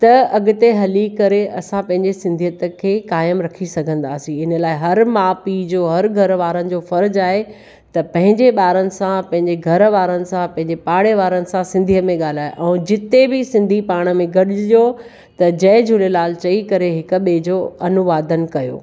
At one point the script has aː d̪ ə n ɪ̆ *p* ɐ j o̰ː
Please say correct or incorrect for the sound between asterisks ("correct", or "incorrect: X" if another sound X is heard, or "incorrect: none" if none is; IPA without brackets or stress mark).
incorrect: k